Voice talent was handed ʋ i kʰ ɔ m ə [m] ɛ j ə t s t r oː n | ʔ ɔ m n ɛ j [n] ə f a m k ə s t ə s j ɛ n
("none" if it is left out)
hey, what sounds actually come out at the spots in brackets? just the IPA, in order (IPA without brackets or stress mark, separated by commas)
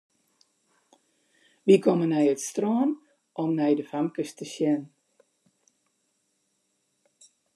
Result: n, d